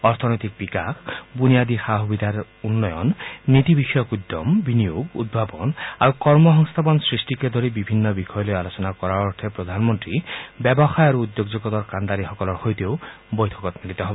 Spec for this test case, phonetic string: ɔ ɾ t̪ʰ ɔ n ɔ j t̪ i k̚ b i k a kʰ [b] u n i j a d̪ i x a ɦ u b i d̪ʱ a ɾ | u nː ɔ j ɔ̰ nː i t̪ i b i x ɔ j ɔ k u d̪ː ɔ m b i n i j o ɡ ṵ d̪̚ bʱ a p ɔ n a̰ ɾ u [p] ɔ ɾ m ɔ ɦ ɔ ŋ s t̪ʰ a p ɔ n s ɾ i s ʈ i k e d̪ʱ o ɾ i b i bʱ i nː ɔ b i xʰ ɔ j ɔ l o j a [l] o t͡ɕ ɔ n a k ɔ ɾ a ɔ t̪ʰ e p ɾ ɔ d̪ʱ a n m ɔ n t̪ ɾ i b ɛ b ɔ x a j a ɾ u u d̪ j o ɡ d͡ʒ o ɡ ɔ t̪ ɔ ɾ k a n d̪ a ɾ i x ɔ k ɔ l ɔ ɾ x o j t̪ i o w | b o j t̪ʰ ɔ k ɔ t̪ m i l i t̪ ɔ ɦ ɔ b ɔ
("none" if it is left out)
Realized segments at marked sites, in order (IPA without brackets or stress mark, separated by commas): b, k, l